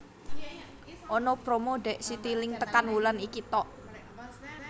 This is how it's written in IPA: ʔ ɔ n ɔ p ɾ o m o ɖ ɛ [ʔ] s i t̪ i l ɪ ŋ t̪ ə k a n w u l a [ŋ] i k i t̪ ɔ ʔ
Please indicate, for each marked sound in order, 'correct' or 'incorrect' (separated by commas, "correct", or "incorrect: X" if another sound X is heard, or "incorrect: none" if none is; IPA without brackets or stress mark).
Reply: correct, incorrect: n